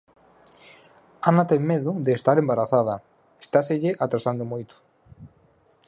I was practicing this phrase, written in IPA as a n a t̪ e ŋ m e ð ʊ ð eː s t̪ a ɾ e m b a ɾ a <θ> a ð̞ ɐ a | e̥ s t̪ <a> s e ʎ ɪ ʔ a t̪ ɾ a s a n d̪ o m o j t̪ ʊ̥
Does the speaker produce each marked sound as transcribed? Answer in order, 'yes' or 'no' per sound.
yes, yes

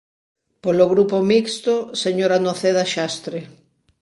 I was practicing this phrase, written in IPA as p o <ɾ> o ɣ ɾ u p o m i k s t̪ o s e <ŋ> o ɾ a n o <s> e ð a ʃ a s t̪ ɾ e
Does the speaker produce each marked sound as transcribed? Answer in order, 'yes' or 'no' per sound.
no, no, no

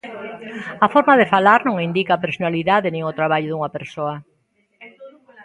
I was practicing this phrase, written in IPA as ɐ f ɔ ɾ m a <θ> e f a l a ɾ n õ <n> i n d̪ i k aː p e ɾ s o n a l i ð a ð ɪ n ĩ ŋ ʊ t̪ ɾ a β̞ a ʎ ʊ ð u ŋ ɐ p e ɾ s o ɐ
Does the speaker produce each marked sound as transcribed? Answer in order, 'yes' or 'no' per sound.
no, no

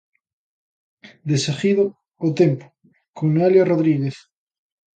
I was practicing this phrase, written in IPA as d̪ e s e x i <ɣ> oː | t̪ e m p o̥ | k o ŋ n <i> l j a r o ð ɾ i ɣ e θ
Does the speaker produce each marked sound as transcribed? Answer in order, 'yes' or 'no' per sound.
no, no

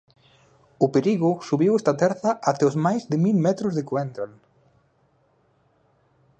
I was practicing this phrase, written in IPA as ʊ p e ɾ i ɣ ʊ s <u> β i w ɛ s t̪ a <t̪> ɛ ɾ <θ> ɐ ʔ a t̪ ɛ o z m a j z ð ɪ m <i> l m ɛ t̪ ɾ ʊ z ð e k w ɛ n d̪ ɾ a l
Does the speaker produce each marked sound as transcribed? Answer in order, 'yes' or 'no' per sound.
yes, yes, yes, yes

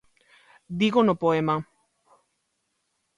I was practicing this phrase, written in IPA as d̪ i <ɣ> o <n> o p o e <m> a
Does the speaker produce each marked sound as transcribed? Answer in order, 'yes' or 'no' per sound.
yes, yes, yes

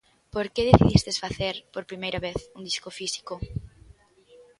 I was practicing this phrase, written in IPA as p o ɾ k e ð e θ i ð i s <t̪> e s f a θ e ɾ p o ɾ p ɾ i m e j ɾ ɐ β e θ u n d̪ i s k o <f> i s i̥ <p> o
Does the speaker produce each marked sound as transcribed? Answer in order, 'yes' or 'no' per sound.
yes, yes, no

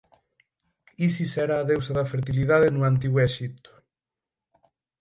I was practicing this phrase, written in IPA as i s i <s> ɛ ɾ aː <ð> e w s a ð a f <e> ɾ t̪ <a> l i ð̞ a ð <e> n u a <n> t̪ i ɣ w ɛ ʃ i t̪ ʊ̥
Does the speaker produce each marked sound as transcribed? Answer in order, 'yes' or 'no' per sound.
yes, yes, yes, no, yes, yes

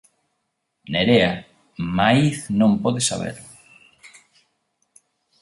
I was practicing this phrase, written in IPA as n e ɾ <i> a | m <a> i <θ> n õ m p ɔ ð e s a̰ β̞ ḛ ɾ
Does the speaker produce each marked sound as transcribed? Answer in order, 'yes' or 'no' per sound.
no, yes, yes

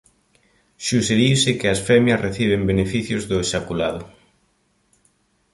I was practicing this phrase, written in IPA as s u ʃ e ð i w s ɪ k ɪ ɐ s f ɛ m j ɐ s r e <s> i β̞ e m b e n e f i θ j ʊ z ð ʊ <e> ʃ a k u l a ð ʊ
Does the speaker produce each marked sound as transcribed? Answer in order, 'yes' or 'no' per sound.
no, yes

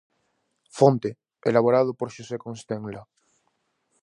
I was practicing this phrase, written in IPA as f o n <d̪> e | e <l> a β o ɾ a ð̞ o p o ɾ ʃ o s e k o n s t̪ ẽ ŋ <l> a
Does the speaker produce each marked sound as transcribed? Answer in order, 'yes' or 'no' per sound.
no, yes, yes

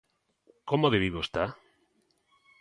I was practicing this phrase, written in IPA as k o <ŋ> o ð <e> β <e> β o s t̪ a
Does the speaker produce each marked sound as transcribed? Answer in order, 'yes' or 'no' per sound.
no, yes, no

